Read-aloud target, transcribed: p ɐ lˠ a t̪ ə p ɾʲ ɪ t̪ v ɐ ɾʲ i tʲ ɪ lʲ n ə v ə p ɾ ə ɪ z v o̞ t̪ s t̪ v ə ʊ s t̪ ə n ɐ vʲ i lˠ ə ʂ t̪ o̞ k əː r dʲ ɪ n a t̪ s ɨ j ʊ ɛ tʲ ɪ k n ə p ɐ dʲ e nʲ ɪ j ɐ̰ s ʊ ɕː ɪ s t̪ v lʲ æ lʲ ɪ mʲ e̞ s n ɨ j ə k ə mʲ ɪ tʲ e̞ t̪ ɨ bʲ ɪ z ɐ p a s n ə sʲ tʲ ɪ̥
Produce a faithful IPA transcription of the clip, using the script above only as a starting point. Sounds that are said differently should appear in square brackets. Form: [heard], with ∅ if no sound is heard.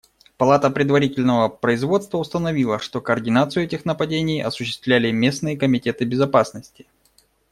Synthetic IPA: p ɐ lˠ a t̪ ə p ɾʲ ɪ [d̪] v ɐ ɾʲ i tʲ ɪ lʲ n ə v ə p ɾ ə ɪ z v o̞ t̪ s t̪ v ə ʊ s t̪ ə n ɐ vʲ i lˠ ə ʂ t̪ o̞ k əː r dʲ ɪ n a t̪ s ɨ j ʊ ɛ tʲ ɪ [x] n ə p ɐ dʲ e nʲ ɪ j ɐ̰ s ʊ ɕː ɪ s t̪ v lʲ æ lʲ ɪ mʲ e̞ s n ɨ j ə k ə mʲ ɪ tʲ e̞ t̪ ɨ bʲ ɪ z ɐ p a s n ə sʲ tʲ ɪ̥

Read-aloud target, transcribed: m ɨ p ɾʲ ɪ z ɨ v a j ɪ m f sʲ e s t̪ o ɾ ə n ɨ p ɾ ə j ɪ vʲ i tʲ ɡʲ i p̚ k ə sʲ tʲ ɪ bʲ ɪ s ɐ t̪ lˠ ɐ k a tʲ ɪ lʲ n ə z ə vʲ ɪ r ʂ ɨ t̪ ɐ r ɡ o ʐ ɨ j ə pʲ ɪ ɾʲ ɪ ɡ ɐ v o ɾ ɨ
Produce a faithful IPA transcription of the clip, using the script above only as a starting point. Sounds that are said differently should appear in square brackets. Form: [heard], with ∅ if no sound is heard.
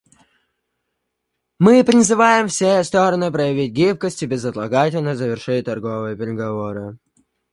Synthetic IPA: m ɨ p ɾʲ ɪ z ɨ v a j ɪ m f sʲ e s t̪ o ɾ ə n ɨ p ɾ ə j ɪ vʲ i tʲ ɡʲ i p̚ k ə sʲ tʲ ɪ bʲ ɪ [z] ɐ t̪ lˠ ɐ [ɡ] a tʲ ɪ lʲ n ə z ə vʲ ɪ r ʂ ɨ t̪ ɐ r ɡ o [v] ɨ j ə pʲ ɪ ɾʲ ɪ ɡ ɐ v o ɾ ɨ

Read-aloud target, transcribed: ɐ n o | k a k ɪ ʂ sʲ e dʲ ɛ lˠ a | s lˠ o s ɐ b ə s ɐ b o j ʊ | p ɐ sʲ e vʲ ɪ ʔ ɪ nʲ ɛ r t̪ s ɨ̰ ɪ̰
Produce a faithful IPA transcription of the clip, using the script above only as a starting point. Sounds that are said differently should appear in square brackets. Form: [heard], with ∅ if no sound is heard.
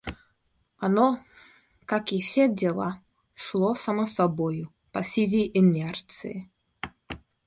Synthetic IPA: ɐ n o | k a k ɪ [f] sʲ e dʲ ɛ lˠ a | [ʂ] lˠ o s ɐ [m] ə s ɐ b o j ʊ | p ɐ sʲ [i] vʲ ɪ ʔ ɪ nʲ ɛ r t̪ s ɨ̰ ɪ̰

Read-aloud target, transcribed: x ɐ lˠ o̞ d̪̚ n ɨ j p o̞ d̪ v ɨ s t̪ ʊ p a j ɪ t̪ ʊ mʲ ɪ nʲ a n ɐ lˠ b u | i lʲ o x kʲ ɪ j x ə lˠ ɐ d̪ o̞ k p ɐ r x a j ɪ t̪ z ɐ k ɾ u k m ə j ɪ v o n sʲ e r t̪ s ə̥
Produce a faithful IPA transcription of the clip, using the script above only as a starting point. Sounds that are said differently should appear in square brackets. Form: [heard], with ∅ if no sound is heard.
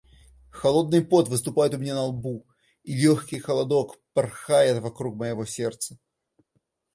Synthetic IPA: x ɐ lˠ o̞ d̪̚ n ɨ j p o̞ [t̪] v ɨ s t̪ ʊ p a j ɪ t̪ ʊ mʲ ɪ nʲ a n ɐ lˠ b u | i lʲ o x kʲ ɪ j x ə lˠ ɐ d̪ o̞ k p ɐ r x a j ɪ t̪ [v] ɐ k ɾ u k m ə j ɪ v o [∅] sʲ e r t̪ s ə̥

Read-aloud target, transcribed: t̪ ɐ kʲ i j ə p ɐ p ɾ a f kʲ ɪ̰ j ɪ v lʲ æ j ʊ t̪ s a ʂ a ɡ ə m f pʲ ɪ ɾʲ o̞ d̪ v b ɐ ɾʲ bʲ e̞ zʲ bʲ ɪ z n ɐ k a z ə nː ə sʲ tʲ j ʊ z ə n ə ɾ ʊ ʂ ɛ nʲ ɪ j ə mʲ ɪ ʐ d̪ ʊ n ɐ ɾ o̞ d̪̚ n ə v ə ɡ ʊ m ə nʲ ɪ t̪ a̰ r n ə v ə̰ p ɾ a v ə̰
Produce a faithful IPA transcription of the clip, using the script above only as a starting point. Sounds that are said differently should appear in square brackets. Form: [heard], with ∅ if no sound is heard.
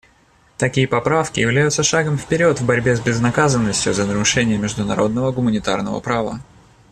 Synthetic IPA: t̪ ɐ kʲ i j ə p ɐ p ɾ a f kʲ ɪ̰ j ɪ v lʲ æ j ʊ t̪ s [ə] ʂ a ɡ ə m f pʲ ɪ ɾʲ o̞ [t̪] v b ɐ ɾʲ bʲ e̞ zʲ bʲ ɪ z n ɐ k a z ə nː ə sʲ tʲ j ʊ z ə n ə ɾ ʊ ʂ ɛ nʲ ɪ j ə mʲ ɪ ʐ d̪ ʊ n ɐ ɾ o̞ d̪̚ n ə v ə ɡ ʊ m ə nʲ ɪ t̪ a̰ r n ə v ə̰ p ɾ a v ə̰

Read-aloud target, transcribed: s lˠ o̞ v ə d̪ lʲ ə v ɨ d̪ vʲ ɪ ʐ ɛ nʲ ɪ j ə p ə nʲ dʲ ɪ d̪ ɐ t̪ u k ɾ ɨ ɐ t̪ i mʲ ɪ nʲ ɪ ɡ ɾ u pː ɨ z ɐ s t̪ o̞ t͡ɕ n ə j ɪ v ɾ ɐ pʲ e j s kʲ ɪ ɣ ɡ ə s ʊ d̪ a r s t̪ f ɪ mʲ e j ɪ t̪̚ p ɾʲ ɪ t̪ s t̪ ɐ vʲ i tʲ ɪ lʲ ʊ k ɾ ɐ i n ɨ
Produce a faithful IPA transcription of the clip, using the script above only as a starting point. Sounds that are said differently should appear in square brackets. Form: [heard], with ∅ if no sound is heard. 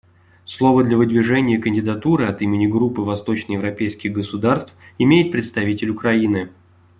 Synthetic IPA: s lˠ o̞ v ə d̪ lʲ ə v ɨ d̪ vʲ ɪ ʐ ɛ nʲ ɪ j ə [k] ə nʲ dʲ ɪ d̪ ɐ t̪ u [∅] ɾ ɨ ɐ t̪ i mʲ ɪ nʲ ɪ ɡ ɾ u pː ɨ [v] ɐ s t̪ o̞ t͡ɕ n ə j ɪ v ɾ ɐ pʲ e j s kʲ ɪ ɣ ɡ ə s ʊ d̪ a r s t̪ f ɪ mʲ e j ɪ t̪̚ p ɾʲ ɪ t̪ s t̪ ɐ vʲ i tʲ ɪ lʲ ʊ k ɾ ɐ i n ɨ

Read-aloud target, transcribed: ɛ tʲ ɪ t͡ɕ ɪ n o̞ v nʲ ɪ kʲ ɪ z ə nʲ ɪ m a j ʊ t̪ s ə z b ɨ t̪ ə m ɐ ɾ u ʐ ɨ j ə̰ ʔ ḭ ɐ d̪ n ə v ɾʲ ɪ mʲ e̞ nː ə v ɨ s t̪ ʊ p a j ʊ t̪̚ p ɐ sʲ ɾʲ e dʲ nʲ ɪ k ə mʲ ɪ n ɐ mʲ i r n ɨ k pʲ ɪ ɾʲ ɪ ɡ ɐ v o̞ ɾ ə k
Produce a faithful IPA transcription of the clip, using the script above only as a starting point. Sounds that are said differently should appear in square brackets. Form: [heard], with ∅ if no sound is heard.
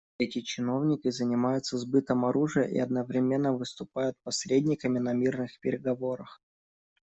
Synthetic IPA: ɛ tʲ ɪ t͡ɕ ɪ n o̞ v nʲ ɪ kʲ ɪ z ə nʲ ɪ m a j ʊ t̪ s ə z b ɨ t̪ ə m ɐ ɾ u ʐ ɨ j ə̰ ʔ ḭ ɐ d̪ n ə v ɾʲ ɪ mʲ e̞ nː ə v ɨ s t̪ ʊ p a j ʊ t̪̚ p ɐ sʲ ɾʲ e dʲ nʲ ɪ k ə mʲ ɪ n ɐ mʲ i r n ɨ [x] pʲ ɪ ɾʲ ɪ ɡ ɐ v o̞ ɾ ə [x]

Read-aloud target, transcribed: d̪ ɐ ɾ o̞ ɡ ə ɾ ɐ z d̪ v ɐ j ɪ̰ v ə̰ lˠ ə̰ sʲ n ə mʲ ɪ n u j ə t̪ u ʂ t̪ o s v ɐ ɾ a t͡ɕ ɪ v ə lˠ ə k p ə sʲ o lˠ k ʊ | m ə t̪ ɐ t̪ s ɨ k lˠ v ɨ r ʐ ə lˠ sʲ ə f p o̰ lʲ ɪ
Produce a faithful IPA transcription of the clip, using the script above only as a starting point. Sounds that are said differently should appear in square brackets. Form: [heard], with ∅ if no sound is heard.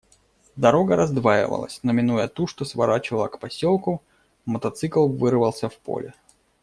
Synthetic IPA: d̪ ɐ ɾ o̞ ɡ ə ɾ ɐ z d̪ v [a] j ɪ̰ v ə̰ lˠ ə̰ sʲ n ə mʲ ɪ n u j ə t̪ u ʂ t̪ o s v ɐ ɾ a t͡ɕ ɪ v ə lˠ ə k p [ɐ] sʲ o lˠ k ʊ | m ə t̪ ɐ t̪ s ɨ k lˠ v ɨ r [v] ə lˠ sʲ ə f p o̰ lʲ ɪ

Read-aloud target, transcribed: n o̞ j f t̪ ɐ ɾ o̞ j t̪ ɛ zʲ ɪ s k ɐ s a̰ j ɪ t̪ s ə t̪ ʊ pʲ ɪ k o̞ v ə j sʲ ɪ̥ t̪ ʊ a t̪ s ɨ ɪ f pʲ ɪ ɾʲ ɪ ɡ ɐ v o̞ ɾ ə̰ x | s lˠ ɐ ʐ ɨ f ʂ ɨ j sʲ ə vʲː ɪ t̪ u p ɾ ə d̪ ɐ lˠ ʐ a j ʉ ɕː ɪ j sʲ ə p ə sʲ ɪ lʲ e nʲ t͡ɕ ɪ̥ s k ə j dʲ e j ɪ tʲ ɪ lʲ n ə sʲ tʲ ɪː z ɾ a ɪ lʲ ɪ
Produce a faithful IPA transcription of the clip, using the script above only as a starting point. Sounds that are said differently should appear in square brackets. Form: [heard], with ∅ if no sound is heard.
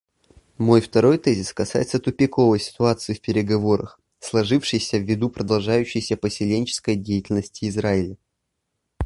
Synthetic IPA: [m] o̞ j f t̪ ɐ ɾ o̞ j t̪ ɛ zʲ ɪ s k ɐ s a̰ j ɪ t̪ s ə t̪ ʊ pʲ ɪ k o̞ v ə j sʲ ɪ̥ t̪ ʊ a t̪ s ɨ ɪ f pʲ ɪ ɾʲ ɪ ɡ ɐ v o̞ ɾ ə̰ x | s lˠ ɐ ʐ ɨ f ʂ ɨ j sʲ ə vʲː ɪ [d̪] u p ɾ ə d̪ ɐ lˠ ʐ a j ʉ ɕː ɪ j sʲ ə p ə sʲ ɪ lʲ e nʲ t͡ɕ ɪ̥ s k ə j dʲ e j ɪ tʲ ɪ lʲ n ə sʲ tʲ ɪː z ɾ a ɪ lʲ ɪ

